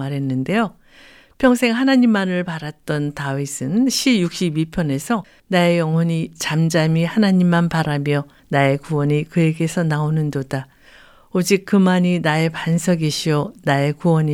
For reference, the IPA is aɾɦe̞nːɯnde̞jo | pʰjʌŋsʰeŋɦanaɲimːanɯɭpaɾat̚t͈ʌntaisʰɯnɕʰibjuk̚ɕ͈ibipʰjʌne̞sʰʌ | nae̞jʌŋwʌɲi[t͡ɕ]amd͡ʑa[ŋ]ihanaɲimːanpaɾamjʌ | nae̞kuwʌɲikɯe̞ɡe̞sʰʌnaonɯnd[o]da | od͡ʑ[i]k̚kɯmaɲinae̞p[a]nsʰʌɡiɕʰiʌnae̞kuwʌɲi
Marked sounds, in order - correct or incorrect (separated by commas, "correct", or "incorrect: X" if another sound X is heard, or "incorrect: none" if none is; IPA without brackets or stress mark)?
correct, incorrect: m, correct, correct, correct